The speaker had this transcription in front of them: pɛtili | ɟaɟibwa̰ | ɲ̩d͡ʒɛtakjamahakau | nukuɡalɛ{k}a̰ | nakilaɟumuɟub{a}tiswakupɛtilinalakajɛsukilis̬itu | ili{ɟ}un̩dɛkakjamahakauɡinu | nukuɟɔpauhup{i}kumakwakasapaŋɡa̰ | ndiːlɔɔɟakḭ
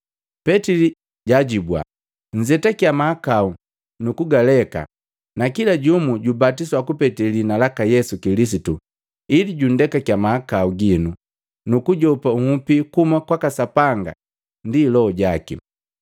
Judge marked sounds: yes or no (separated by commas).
yes, yes, yes, yes